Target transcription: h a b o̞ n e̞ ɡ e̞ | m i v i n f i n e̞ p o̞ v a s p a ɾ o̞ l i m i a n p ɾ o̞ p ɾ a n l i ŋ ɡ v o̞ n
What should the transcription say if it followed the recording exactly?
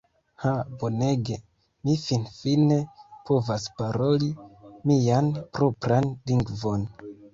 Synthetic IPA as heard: h a b o̞ n e̞ ɡ e̞ | m i f i n f i n e̞ p o̞ v a s p a ɾ o̞ l i m i a n p ɾ o̞ p ɾ a n l i ŋ ɡ v o̞ n

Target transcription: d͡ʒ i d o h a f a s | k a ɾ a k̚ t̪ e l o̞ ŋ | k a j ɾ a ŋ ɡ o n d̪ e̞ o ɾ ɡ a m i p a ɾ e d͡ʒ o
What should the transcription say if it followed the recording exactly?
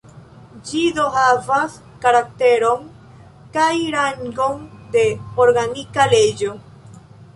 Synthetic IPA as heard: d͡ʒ i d o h a v a s | k a ɾ a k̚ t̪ e ɾ o̞ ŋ | k a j ɾ a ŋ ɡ o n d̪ e̞ o ɾ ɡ a n i k a l e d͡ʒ o

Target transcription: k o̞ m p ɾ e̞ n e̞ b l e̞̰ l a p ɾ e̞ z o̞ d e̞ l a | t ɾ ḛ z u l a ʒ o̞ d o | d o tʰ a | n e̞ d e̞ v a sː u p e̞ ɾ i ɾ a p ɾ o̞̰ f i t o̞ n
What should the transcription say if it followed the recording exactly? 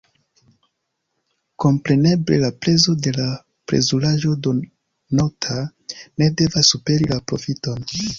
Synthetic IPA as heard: k o̞ m p ɾ e̞ n e̞ b l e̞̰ l a p ɾ e̞ z o̞ d e̞ l a | p ɾ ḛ z u l a ʒ o̞ d o | n o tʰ a | n e̞ d e̞ v a sː u p e̞ ɾ i l a p ɾ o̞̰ f i t o̞ n

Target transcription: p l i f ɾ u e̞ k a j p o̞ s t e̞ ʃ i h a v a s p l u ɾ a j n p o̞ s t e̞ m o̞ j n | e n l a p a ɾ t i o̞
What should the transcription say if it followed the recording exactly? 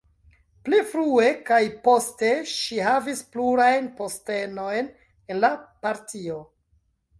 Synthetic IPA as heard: p l i f ɾ u e̞ k a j p o̞ s t e̞ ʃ i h a v i s p l u ɾ a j n p o̞ s t e̞ n o̞ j n | e n l a p a ɾ t i o̞

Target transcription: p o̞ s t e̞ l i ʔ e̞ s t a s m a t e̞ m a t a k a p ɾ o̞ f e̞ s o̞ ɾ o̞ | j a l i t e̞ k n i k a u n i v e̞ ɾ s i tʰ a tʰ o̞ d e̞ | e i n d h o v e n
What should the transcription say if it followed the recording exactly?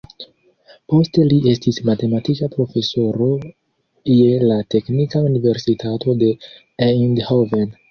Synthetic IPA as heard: p o̞ s t e̞ l i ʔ e̞ s t i s m a t e̞ m a t i k a p ɾ o̞ f e̞ s o̞ ɾ o̞ | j e l a t e̞ k n i k a u n i v e̞ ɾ s i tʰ a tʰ o̞ d e̞ | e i n d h o v e n

